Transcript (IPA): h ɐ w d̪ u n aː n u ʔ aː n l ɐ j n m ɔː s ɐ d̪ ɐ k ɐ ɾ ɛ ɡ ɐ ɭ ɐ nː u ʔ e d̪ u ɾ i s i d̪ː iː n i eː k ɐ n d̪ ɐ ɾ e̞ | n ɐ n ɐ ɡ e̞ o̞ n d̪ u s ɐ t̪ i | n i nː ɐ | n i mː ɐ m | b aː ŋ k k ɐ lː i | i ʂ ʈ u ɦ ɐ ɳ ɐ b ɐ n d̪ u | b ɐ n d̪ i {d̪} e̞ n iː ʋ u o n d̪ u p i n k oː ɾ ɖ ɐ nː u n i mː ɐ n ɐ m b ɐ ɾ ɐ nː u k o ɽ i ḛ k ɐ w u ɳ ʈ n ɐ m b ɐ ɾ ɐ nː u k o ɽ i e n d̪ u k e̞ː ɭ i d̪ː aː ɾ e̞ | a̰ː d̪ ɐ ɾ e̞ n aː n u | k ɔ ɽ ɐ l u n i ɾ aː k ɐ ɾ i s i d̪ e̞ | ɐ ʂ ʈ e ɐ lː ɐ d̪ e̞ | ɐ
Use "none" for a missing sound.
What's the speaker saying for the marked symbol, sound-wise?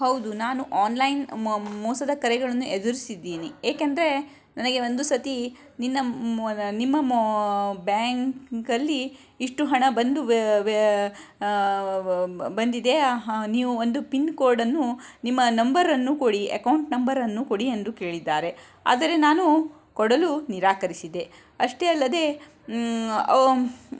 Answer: d̪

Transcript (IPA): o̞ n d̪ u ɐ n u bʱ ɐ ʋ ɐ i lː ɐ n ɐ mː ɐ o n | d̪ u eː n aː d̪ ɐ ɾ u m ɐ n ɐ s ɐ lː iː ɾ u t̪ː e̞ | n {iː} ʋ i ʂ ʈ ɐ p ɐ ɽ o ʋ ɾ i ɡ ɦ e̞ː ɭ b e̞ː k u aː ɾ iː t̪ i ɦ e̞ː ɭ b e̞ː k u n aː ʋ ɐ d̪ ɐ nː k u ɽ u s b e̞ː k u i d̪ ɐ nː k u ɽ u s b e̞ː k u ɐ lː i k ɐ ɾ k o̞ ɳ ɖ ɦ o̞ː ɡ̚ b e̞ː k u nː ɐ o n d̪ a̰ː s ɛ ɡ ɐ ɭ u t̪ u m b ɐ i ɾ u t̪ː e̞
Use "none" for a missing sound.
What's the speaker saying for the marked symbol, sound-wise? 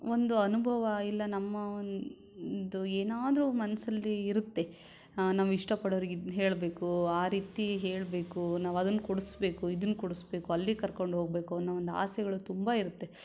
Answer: aː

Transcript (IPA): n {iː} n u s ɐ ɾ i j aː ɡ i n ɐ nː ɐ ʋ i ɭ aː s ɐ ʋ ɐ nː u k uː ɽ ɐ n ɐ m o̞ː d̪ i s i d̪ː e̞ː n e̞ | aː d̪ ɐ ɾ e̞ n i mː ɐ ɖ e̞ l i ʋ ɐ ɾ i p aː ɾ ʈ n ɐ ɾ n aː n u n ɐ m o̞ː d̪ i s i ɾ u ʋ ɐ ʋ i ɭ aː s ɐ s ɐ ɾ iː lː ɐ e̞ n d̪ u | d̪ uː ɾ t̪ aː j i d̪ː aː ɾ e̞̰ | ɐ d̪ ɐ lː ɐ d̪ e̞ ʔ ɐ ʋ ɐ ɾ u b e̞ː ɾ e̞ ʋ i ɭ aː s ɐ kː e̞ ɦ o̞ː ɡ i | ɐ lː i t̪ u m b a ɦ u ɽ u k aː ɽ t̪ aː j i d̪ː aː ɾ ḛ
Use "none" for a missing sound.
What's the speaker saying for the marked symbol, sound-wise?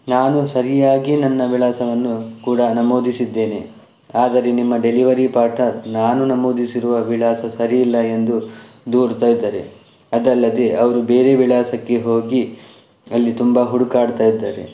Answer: aː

